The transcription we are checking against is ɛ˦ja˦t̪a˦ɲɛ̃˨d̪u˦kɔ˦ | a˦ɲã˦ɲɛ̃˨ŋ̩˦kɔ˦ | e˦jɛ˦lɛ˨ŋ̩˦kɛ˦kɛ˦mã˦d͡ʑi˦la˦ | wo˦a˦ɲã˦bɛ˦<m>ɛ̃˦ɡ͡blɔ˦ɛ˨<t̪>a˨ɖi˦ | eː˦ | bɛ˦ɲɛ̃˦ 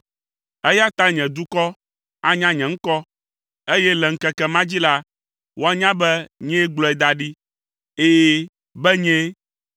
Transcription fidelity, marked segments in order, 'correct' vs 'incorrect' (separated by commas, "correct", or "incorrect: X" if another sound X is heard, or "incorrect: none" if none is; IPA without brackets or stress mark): incorrect: ɲ, incorrect: d̪